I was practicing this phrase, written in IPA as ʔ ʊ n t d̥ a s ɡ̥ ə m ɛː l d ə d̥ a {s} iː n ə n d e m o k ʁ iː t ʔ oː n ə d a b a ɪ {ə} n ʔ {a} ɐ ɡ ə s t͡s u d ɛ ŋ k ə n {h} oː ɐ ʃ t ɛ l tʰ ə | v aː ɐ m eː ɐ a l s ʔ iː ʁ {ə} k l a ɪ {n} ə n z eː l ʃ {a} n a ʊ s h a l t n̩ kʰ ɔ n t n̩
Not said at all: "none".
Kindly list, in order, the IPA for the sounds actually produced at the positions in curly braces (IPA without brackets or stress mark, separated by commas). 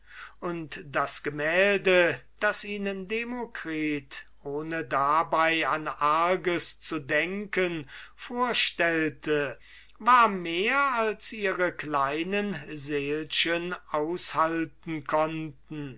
s, a, a, f, ə, n, ə